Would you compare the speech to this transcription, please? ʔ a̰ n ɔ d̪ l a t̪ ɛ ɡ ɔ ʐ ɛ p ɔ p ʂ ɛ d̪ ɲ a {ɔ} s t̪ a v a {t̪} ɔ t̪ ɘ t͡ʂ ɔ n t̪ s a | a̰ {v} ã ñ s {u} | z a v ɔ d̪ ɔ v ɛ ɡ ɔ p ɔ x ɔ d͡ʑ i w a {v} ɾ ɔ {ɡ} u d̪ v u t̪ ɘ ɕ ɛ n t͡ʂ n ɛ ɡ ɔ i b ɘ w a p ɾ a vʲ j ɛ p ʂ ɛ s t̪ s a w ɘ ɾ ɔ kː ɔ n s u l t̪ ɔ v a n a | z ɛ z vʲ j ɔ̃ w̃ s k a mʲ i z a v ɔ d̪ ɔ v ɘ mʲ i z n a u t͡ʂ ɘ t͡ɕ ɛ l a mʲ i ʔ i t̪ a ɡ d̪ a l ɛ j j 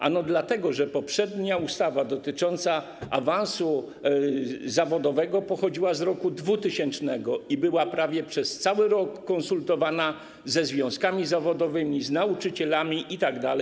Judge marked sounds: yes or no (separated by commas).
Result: no, no, yes, yes, no, no